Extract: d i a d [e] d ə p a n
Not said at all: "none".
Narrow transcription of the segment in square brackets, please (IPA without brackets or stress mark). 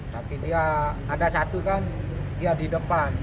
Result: i